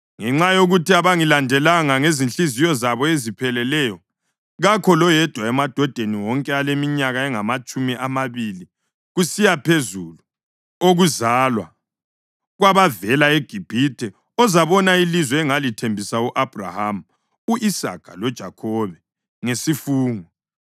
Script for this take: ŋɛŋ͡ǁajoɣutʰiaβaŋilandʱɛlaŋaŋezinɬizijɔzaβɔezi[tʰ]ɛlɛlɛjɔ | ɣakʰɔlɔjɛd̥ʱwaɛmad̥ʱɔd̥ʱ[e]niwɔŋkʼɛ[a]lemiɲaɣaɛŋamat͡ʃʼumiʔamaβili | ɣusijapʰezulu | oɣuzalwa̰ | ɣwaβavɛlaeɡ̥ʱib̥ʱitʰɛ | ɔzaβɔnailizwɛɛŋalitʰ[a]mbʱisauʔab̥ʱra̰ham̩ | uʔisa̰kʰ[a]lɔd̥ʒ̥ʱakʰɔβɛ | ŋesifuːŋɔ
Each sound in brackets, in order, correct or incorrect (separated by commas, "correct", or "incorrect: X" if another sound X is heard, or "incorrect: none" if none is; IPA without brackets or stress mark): incorrect: pʰ, correct, correct, incorrect: e, correct